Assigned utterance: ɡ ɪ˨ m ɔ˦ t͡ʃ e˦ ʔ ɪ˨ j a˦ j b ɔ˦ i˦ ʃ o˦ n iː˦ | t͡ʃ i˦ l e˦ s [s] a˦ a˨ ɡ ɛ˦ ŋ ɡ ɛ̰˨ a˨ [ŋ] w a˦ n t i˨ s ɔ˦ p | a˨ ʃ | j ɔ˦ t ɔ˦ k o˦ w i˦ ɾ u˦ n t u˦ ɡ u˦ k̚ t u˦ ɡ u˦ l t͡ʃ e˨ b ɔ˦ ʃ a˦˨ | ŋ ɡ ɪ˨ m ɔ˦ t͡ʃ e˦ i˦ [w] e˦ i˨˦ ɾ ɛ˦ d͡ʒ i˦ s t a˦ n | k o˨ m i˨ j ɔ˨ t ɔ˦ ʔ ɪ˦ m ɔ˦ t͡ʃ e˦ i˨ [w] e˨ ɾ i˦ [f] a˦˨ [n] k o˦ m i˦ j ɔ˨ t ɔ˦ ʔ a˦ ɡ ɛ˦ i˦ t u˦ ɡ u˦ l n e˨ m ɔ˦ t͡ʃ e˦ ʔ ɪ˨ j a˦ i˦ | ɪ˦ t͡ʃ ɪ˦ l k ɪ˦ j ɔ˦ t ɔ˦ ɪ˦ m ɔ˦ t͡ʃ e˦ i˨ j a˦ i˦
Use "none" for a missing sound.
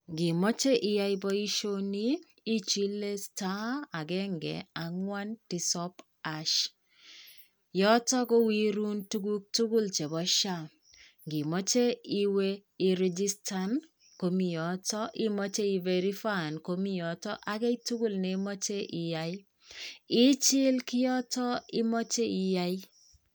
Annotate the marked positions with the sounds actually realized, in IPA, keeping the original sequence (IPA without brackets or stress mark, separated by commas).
t, ŋ, w, v, f, n